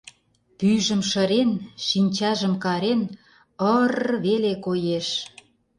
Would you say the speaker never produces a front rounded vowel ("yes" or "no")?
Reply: no